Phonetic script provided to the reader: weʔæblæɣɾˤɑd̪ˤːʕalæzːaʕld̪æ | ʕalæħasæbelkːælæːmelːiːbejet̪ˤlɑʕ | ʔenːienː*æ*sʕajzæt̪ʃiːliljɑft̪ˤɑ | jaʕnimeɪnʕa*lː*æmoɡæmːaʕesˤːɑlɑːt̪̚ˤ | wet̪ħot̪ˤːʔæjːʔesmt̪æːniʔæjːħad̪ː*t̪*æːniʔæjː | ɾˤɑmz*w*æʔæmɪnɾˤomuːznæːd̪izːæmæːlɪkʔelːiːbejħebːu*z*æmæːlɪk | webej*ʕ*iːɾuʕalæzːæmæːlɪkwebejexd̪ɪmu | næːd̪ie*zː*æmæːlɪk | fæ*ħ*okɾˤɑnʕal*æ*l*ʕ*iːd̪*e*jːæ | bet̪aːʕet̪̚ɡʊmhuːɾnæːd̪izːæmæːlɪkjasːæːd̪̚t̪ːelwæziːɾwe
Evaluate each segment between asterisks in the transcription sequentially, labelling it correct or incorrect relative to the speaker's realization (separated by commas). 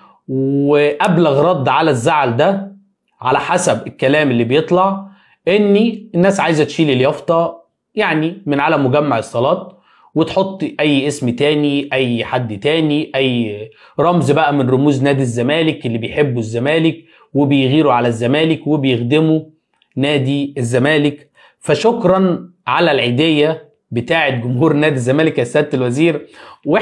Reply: incorrect, incorrect, correct, incorrect, incorrect, incorrect, correct, incorrect, correct, correct, correct